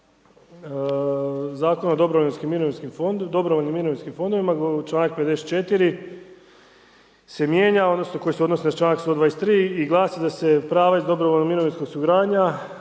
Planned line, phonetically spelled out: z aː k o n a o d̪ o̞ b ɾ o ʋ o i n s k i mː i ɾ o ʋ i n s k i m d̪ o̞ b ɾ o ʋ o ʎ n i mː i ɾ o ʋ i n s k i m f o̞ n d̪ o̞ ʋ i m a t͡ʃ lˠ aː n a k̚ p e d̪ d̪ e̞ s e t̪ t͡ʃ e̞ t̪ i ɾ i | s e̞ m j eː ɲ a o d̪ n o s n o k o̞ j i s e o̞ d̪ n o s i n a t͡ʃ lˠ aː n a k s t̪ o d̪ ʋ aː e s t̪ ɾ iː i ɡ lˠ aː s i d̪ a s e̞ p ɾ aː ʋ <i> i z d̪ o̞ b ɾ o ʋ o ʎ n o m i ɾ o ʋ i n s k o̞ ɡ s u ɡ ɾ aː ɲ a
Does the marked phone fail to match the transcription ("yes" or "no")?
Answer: yes